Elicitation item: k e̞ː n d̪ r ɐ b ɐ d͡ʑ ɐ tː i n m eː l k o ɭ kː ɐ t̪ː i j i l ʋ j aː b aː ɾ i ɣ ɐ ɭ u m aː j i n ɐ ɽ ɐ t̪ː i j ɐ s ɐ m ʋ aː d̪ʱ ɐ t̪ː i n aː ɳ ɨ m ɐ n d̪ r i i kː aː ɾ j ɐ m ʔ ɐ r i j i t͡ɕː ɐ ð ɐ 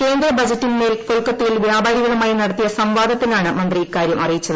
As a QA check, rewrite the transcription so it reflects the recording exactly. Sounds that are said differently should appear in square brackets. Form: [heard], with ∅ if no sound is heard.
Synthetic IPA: k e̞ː n d̪ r ɐ b ɐ d͡ʑ ɐ tː i n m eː l k o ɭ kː ɐ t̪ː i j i l ʋ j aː b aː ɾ i ɣ ɐ ɭ u m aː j i n ɐ ɽ ɐ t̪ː i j ɐ s ɐ m ʋ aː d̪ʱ ɐ t̪ː i n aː ɳ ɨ m ɐ n d̪ r i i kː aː ɾ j ɐ m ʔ ɐ r i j i t͡ɕː ɐ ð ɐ